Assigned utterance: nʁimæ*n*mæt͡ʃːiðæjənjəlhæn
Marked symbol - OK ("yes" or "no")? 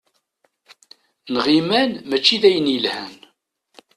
yes